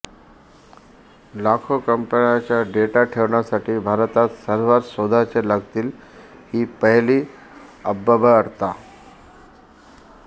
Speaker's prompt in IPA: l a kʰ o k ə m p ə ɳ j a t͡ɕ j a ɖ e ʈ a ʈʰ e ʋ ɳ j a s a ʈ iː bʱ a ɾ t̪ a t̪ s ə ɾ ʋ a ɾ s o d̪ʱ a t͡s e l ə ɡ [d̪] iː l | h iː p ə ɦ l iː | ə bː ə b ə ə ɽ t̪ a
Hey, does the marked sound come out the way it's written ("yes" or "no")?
no